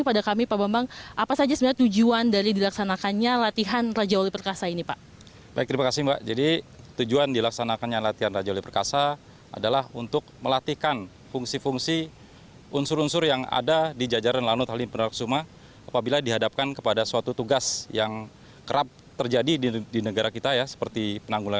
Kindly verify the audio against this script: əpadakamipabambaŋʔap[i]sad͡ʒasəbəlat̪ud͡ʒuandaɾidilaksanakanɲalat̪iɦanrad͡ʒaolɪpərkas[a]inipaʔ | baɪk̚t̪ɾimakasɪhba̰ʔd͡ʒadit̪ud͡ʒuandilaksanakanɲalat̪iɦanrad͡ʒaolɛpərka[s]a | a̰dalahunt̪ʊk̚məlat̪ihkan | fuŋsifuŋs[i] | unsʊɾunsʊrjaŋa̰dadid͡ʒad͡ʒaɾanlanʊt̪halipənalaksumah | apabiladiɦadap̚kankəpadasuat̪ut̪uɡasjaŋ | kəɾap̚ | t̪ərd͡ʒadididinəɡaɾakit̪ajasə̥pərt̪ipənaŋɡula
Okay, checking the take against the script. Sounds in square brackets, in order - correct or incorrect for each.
incorrect: a, correct, correct, correct

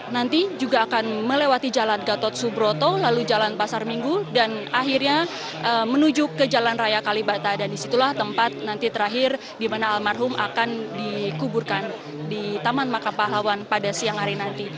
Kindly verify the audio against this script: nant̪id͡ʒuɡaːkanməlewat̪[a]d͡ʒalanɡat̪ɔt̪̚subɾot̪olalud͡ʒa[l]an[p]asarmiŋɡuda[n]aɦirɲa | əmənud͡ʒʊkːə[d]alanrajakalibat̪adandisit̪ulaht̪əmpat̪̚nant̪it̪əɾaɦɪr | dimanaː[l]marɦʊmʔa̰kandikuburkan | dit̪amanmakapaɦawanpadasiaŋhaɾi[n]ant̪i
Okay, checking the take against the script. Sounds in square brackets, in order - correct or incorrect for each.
incorrect: i, correct, correct, correct, incorrect: d͡ʒ, correct, correct

